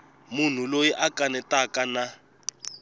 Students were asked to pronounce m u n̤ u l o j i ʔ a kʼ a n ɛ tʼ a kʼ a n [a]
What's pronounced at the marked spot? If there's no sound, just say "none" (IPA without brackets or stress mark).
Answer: a